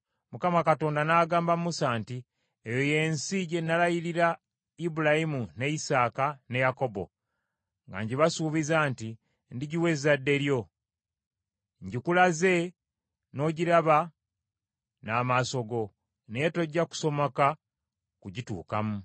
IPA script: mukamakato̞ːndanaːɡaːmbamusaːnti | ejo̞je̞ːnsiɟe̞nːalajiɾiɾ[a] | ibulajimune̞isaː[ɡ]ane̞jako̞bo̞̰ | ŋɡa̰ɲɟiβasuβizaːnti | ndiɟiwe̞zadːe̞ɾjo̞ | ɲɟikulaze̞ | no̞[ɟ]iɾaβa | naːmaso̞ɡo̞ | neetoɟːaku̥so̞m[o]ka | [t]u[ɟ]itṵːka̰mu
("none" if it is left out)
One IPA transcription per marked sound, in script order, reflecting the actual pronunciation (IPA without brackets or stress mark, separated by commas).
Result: a, k, ɟ, o, k, ɟ